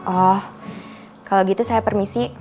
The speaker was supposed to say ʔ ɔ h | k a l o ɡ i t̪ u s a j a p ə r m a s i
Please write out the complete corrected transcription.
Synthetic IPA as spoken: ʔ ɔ h | k a l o ɡ i t̪ u s a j a p ə r m i s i

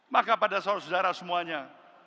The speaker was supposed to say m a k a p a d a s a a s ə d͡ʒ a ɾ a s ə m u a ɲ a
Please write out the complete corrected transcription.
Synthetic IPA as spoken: m a k a p a d a s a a s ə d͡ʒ a ɾ a s ə m u a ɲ a

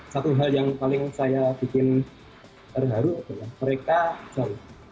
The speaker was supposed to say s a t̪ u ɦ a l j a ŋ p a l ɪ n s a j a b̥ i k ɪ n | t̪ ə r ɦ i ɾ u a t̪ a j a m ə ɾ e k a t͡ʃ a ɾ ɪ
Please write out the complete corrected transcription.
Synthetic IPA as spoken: s a t̪ u ɦ a l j a ŋ p a l ɪ ŋ s a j a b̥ i k ɪ n | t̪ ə r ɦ a ɾ u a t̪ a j a m ə ɾ e k a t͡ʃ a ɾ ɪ

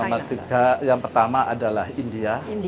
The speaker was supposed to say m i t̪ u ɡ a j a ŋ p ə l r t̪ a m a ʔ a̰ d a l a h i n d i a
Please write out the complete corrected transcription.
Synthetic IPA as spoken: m a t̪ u ɡ a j a ŋ p ə r t̪ a m a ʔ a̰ d a l a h i n d i a

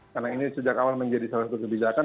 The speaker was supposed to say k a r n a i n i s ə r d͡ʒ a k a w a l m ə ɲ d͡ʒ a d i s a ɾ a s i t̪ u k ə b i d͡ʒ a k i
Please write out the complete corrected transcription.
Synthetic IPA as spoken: k a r n a i n i s ə d͡ʒ a k a w a l m ə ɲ d͡ʒ a d i s a l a s a t̪ u k ə b i d͡ʒ a k a

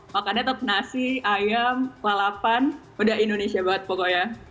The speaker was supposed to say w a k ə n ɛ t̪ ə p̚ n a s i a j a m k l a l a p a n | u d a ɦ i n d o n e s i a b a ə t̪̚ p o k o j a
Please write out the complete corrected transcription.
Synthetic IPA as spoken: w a k a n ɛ t̪ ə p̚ n a s i a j a m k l a l a p a n | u d a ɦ i n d o n e s i a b a ə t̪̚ p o k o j a

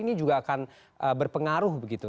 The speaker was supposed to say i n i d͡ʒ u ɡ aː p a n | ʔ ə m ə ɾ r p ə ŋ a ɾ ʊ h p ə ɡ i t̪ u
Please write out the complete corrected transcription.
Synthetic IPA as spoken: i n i d͡ʒ u ɡ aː k a n | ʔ ə b ə r p ə ŋ a ɾ ʊ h b ə ɡ i t̪ u

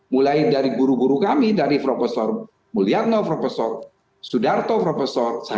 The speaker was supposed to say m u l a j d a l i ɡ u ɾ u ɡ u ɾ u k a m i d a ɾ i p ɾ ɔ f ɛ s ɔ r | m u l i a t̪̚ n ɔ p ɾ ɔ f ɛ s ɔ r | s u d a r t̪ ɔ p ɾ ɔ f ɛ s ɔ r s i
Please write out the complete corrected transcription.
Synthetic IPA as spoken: m u l a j d a ɾ i ɡ u ɾ u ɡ u ɾ u k a m i d a ɾ i p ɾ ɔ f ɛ s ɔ r | m u l i a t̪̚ n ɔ p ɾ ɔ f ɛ s ɔ r | s u d a r t̪ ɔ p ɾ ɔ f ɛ s ɔ r s a

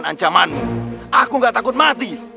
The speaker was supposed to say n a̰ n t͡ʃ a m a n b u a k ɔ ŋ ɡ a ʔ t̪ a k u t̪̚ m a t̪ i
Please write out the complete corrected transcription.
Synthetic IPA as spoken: n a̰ ɲ t͡ʃ a m a n m u a k u ŋ ɡ a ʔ t̪ a k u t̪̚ m a t̪ i

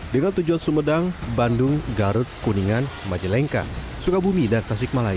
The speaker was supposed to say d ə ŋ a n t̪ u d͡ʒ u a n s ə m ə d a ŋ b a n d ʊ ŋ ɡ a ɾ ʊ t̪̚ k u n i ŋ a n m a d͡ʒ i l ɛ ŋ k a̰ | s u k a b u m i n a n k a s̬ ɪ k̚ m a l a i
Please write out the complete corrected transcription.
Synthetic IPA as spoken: d ə ŋ a n t̪ u d͡ʒ u a n s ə m ə d a ŋ b a n d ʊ ŋ ɡ a ɾ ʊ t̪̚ k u n i ŋ a n m a d͡ʒ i l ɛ ŋ k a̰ | s u k a b u m i d a n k a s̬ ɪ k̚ m a l a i

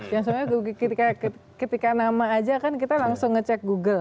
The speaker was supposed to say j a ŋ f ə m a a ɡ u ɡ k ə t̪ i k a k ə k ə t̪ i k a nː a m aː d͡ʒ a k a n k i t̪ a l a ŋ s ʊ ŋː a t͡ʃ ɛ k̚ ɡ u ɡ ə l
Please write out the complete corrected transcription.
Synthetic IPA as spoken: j a ŋ s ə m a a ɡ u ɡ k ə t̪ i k a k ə k ə t̪ i k a n a m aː d͡ʒ a k a n k i t̪ a l a ŋ s ʊ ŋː ə t͡ʃ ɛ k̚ ɡ u ɡ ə l

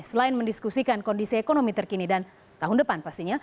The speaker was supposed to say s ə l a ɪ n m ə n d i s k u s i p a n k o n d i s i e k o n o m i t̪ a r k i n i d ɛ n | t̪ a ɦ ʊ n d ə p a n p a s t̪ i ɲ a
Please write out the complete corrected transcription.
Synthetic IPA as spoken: s ə l a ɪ n m ə n d i s k u s i k a n k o n d i s i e k o n o m i t̪ ə r k i n i d a n | t̪ a ɦ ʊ n d ə p a n p a s t̪ i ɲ a

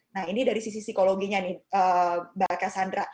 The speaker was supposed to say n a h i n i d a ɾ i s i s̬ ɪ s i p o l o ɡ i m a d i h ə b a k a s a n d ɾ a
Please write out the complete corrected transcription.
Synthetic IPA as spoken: n a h i n i d a ɾ i s i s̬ i s i k o l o ɡ i ɲ a n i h ə b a k a s a n d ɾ a

